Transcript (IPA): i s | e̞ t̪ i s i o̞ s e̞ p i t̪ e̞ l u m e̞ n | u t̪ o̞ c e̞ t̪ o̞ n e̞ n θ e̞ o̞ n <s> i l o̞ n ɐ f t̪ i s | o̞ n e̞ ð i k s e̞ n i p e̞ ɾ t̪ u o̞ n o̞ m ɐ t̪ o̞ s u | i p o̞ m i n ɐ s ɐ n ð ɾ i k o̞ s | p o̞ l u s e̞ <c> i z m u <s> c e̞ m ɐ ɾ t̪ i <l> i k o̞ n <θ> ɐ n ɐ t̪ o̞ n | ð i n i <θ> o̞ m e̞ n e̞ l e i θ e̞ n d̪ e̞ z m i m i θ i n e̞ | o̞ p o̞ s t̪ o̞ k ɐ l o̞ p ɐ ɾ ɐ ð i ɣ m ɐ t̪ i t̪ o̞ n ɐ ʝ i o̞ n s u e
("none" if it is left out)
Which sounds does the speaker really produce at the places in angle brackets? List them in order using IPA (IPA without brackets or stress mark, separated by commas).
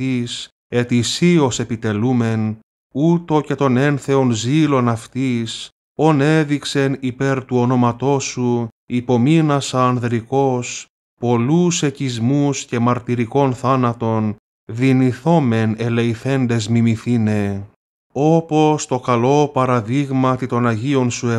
z, c, s, ɾ, θ, θ